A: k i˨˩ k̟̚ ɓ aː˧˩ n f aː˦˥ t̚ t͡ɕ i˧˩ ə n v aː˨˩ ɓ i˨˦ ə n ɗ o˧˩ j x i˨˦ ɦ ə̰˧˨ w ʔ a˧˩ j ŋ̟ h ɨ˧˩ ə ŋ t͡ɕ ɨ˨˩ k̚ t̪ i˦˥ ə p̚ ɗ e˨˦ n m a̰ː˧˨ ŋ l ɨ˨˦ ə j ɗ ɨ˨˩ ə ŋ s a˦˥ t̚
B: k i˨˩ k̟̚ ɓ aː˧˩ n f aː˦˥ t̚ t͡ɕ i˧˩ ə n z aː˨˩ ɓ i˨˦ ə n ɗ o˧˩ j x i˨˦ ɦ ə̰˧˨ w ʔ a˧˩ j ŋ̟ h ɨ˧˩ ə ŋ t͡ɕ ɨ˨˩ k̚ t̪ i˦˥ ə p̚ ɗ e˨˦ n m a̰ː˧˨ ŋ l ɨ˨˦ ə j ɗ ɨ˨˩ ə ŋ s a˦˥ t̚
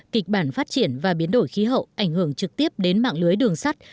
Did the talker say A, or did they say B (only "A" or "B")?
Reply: A